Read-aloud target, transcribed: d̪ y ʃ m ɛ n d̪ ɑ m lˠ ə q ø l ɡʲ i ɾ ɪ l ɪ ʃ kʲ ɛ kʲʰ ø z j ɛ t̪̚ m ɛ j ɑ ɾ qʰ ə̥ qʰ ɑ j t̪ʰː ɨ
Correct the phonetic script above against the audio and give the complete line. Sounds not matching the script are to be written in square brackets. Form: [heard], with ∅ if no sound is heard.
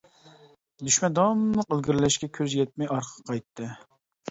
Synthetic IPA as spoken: d̪ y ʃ m ɛ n d̪ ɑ m lˠ ə q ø l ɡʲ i ɾ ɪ l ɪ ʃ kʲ ɛ kʲʰ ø z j ɛ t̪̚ m ɛ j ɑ ɾ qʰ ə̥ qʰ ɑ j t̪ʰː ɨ